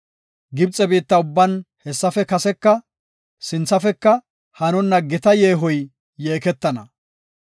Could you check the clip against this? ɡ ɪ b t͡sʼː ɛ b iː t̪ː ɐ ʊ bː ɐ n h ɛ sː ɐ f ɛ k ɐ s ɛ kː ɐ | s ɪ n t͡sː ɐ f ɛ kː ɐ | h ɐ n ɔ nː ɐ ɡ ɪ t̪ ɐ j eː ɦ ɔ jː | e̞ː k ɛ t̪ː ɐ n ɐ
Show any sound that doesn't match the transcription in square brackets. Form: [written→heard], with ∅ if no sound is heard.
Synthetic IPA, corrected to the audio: ɡ ɪ b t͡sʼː ɛ b iː t̪ː ɐ ʊ bː ɐ n h ɛ sː ɐ f ɛ k ɐ s ɛ kː ɐ | s ɪ n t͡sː ɐ f ɛ kː ɐ | h ɐ n ɔ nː ɐ ɡ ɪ t̪ ɐ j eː ɦ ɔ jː | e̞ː k ɛ t̪ː ɐ n ɐ